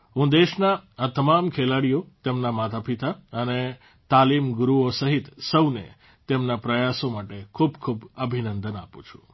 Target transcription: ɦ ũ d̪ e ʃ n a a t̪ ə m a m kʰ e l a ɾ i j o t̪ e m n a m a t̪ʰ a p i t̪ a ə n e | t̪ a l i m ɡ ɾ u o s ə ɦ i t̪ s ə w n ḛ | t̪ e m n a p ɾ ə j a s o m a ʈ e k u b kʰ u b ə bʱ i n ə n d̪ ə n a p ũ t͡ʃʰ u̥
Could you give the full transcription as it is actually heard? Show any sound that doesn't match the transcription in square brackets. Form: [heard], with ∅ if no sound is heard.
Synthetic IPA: ɦ ũ d̪ e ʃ n a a t̪ ə m a m kʰ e l a [ɽ] i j o t̪ e m n a m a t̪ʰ a p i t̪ a ə n e | t̪ a l i m ɡ ɾ u o s ə ɦ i t̪ s ə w n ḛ | t̪ e m n a p ɾ ə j a s o m a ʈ e [kʰ] u b kʰ u b ə bʱ i n ə n d̪ ə n a p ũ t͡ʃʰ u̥